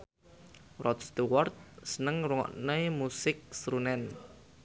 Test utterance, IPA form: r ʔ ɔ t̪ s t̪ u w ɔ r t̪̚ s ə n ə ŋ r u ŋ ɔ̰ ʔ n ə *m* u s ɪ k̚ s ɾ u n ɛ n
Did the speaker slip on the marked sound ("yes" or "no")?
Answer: no